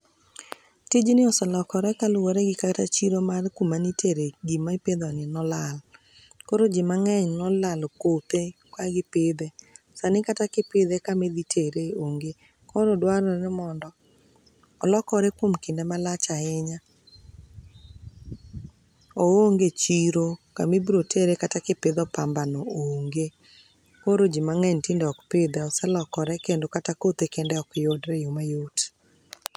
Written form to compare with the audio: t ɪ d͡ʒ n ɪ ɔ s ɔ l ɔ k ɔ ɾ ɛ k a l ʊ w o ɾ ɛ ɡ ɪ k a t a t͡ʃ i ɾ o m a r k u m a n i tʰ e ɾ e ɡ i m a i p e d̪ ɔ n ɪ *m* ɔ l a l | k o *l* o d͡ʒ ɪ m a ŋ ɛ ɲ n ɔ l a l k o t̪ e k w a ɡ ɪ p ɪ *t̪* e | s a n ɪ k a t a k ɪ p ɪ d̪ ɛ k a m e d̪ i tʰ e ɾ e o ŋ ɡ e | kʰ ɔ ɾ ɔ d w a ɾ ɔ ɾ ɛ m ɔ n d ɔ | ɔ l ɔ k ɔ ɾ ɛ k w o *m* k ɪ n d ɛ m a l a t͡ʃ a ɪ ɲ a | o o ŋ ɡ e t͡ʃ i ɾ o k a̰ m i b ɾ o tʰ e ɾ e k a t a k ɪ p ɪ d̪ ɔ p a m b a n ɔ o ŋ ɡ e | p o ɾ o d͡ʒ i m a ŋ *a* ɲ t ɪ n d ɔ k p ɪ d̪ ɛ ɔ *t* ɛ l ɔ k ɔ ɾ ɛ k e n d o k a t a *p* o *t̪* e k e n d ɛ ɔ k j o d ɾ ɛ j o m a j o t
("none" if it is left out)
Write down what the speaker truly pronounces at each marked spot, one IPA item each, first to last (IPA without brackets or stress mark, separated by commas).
n, ɾ, d̪, m, ɛ, s, k, t̪